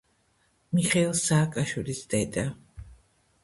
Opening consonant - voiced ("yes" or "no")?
yes